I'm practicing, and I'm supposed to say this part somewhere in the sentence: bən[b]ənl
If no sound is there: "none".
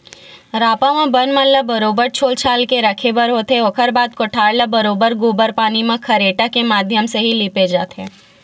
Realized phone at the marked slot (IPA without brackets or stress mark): m